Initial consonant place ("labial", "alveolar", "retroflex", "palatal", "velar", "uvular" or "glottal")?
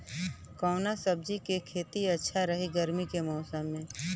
velar